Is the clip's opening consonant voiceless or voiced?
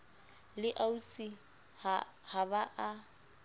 voiced